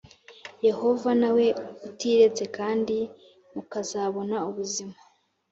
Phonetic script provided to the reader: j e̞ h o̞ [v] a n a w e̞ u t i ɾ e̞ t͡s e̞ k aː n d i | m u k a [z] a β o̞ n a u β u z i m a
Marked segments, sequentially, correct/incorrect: correct, correct

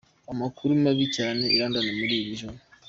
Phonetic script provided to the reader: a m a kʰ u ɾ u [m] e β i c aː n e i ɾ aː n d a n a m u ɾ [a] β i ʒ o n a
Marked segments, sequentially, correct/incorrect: correct, incorrect

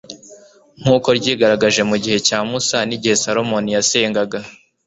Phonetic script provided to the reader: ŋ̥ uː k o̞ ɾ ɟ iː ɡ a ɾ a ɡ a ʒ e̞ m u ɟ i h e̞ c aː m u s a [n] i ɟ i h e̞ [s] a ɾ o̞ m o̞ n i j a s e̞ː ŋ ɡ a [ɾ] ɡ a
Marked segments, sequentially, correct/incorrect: correct, correct, incorrect

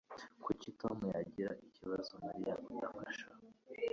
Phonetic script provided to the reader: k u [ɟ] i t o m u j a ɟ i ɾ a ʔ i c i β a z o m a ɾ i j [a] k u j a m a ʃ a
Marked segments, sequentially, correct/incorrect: incorrect, correct

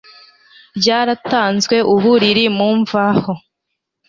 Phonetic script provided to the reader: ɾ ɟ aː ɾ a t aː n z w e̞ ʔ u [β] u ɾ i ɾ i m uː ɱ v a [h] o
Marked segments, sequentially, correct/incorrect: correct, correct

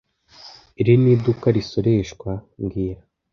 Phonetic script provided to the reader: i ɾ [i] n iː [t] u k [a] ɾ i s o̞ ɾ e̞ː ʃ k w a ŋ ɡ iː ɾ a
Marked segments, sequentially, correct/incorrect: correct, incorrect, correct

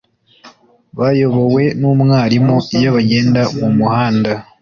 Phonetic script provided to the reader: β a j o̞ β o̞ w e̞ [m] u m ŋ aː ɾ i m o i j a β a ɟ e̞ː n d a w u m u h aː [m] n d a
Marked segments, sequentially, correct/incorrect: incorrect, incorrect

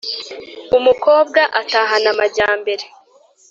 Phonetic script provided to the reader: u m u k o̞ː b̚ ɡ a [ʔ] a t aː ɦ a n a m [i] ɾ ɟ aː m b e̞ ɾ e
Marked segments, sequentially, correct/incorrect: correct, incorrect

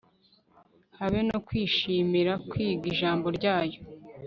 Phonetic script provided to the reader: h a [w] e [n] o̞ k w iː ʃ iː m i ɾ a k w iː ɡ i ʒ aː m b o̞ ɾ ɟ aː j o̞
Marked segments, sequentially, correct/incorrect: incorrect, correct

